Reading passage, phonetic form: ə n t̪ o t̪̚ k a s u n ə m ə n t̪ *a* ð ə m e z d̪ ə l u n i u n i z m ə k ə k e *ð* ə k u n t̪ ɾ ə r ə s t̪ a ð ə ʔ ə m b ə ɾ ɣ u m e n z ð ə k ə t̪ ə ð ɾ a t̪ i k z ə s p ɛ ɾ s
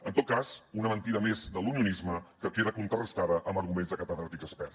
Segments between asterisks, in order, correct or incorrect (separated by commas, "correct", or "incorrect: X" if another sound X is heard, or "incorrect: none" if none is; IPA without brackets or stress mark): incorrect: i, correct